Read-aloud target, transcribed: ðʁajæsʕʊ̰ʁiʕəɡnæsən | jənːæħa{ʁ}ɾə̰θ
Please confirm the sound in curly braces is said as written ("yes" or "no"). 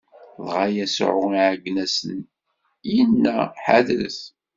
no